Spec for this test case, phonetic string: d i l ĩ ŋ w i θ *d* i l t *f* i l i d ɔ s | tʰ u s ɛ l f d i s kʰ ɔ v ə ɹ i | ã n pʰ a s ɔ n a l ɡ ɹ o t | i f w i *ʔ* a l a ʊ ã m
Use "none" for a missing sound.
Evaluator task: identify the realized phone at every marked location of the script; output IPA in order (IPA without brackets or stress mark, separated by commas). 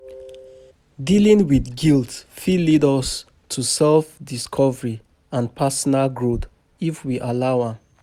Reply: ɡ, f, ʔ